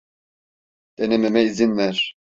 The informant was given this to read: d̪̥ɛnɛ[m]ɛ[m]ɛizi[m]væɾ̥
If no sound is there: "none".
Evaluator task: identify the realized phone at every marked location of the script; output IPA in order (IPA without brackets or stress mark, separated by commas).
m, m, n